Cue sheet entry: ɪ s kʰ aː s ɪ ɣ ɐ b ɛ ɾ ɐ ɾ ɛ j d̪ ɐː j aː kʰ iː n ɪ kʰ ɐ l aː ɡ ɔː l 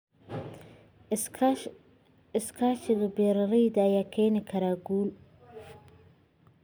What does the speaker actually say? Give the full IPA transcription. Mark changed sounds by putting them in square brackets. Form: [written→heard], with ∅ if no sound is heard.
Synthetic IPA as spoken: ɪ s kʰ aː [s→ʃ] ɪ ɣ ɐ b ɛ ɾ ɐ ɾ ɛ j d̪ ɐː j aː kʰ [iː→ɛː] n ɪ kʰ ɐ [l→ɾ] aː ɡ [ɔː→uː] l